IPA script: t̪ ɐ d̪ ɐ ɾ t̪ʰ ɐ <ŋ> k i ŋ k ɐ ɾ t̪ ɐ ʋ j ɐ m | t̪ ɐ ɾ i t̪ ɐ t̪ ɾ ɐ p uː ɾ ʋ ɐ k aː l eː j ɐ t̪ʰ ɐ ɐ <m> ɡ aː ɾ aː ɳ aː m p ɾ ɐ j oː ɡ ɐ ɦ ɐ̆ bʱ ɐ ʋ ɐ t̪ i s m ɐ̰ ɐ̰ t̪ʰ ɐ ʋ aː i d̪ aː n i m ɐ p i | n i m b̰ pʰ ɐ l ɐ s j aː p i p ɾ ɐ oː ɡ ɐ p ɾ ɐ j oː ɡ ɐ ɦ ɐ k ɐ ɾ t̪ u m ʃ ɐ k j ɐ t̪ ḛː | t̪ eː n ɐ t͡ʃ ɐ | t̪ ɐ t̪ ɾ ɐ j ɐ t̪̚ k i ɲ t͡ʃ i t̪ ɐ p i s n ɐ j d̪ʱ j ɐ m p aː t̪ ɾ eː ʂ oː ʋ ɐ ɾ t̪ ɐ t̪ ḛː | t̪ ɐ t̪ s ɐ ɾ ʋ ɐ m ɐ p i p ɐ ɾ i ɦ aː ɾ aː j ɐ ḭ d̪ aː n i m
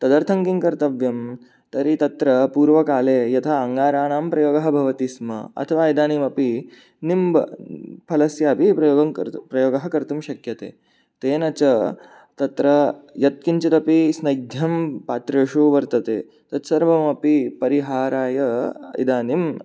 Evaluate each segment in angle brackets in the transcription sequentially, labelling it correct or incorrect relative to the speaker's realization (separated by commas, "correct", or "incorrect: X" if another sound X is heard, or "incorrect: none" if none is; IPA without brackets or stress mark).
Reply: correct, incorrect: ŋ